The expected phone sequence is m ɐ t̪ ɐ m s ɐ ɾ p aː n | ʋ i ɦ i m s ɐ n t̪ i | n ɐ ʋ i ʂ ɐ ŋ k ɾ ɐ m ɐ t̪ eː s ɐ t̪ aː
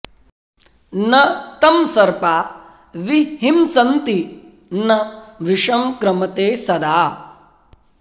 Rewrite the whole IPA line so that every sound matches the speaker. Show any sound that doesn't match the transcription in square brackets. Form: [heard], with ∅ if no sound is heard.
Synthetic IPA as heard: [n] ɐ t̪ ɐ m s ɐ ɾ p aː [∅] | ʋ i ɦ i m s ɐ n t̪ i | n ɐ ʋ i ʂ ɐ [m] k ɾ ɐ m ɐ t̪ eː s ɐ [d̪] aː